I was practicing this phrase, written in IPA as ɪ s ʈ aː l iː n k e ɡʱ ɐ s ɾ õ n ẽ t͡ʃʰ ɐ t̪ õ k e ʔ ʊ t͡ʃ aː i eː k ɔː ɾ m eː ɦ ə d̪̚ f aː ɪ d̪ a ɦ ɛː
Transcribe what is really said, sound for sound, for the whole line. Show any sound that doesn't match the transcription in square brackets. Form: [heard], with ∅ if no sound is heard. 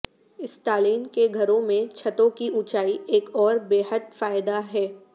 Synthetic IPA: ɪ s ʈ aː l iː n k e ɡʱ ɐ [∅] ɾ õ [m] ẽ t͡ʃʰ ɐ t̪ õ k [i] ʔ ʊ t͡ʃ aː i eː k ɔː ɾ [b] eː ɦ ə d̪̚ f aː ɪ d̪ a ɦ ɛː